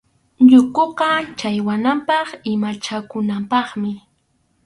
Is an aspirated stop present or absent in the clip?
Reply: absent